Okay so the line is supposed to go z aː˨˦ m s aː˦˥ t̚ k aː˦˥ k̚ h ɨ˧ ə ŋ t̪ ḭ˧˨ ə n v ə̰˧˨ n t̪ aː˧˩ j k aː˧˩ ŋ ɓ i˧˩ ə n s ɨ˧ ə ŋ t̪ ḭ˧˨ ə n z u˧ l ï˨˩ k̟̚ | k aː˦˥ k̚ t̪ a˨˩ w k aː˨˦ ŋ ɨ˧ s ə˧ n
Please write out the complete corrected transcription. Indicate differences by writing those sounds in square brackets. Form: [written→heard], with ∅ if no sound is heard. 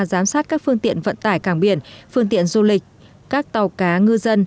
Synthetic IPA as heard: z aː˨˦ m s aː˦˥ t̚ k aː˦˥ k̚ [h→f] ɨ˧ ə ŋ t̪ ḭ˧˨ ə n v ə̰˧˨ n t̪ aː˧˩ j k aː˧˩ ŋ ɓ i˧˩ ə n [s→f] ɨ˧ ə ŋ t̪ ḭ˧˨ ə n z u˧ l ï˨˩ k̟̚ | k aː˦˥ k̚ t̪ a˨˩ w k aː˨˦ ŋ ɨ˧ [s→z] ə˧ n